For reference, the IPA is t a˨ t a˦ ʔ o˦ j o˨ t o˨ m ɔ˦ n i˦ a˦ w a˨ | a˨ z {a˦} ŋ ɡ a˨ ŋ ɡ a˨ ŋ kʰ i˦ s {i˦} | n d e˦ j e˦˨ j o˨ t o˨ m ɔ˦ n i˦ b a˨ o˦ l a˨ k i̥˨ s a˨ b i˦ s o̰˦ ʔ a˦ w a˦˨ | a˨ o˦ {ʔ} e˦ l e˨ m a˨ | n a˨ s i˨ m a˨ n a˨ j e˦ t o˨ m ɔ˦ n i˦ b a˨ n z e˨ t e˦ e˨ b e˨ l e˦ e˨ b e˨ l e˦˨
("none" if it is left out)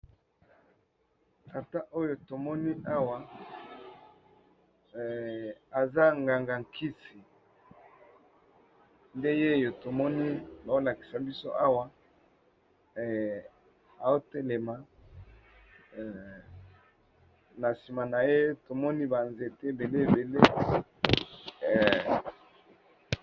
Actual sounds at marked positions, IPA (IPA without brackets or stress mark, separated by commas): a˦, i˨, t